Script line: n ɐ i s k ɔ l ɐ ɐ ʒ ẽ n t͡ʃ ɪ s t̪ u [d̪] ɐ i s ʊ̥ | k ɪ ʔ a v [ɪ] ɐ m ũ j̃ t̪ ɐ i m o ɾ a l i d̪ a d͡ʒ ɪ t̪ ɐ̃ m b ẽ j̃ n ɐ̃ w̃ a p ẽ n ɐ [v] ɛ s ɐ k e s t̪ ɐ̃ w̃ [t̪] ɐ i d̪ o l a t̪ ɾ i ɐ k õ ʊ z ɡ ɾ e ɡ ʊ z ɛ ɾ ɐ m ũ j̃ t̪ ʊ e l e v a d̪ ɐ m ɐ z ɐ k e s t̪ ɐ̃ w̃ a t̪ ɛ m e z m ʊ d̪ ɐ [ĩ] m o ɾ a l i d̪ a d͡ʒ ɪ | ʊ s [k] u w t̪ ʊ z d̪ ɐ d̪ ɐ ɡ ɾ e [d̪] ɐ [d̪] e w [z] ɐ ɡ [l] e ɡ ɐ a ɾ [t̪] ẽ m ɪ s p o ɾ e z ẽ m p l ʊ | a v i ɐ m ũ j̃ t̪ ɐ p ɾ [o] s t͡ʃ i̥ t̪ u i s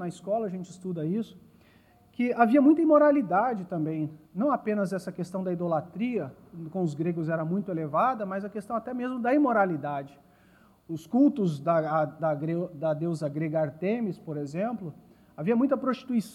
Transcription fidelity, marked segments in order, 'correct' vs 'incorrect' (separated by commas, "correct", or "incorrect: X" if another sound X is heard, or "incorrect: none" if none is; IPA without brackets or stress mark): correct, incorrect: i, incorrect: z, incorrect: d̪, incorrect: i, correct, correct, correct, correct, incorrect: ɾ, correct, correct